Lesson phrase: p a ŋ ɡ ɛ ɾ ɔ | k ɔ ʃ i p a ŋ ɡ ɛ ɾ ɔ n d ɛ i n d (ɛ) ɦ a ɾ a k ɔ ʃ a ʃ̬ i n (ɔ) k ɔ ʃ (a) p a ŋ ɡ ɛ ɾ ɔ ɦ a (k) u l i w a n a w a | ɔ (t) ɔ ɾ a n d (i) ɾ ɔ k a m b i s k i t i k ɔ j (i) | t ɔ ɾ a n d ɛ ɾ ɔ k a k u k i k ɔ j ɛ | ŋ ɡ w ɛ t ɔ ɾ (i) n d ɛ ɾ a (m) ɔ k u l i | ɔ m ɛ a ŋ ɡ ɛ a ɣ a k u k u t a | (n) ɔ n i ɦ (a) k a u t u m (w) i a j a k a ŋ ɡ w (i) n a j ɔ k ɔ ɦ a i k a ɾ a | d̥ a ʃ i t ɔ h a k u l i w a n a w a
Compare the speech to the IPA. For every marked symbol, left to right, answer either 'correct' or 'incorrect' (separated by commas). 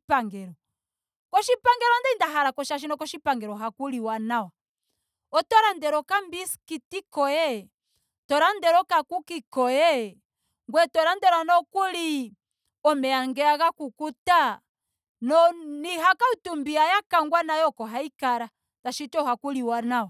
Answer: incorrect, correct, incorrect, correct, correct, incorrect, incorrect, incorrect, incorrect, correct, correct, incorrect, incorrect